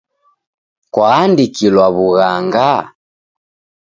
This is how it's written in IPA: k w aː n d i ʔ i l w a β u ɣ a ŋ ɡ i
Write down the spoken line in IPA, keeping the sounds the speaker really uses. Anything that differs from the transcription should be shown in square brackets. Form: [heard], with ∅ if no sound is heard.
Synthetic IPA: k w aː n d i [k] i l w a β u ɣ a ŋ ɡ [a]